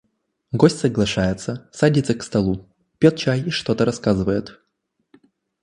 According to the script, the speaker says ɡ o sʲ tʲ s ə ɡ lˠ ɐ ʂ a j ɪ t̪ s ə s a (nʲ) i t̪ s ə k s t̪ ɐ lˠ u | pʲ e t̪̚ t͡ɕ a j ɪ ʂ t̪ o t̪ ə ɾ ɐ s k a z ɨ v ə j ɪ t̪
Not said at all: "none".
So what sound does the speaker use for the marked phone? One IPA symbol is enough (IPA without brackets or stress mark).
dʲ